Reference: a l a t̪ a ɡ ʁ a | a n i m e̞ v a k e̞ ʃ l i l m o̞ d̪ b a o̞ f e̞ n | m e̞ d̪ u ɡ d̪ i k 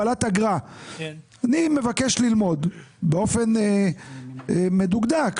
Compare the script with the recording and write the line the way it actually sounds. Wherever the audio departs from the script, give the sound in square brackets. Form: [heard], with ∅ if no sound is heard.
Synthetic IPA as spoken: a l a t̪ a ɡ ʁ a | a n i m e̞ v a k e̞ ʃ l i l m o̞ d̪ b [e] o̞ f e̞ n | m e̞ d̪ u ɡ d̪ [a] k